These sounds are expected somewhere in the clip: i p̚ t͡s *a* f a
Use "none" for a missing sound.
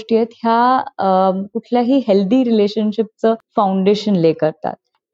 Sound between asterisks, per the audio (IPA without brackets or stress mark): ə